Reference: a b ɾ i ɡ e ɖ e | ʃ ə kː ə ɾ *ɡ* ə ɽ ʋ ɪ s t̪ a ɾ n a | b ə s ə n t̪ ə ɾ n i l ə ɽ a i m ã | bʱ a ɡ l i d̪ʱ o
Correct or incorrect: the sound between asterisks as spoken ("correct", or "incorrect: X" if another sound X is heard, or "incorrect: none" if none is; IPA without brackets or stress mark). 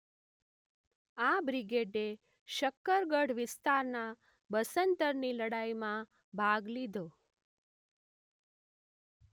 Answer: correct